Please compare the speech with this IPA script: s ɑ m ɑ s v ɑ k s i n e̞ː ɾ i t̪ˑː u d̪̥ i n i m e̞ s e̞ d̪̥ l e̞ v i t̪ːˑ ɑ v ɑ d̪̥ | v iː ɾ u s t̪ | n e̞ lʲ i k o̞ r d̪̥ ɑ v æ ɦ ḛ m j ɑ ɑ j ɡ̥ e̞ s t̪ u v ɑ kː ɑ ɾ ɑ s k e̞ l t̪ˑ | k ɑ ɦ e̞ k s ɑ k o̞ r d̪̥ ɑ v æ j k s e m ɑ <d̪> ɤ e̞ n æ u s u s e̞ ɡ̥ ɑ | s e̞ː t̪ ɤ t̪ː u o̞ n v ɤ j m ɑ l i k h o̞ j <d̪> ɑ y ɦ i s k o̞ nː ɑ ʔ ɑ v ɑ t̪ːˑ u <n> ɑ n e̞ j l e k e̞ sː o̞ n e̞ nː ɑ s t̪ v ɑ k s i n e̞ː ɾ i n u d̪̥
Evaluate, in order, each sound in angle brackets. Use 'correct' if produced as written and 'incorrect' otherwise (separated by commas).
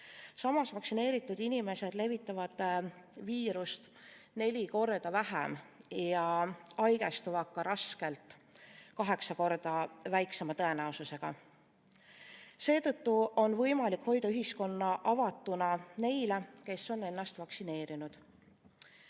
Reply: incorrect, correct, correct